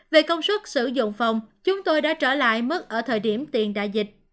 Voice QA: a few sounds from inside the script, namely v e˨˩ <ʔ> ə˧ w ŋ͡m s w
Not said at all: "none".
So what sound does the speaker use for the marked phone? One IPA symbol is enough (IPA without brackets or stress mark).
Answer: k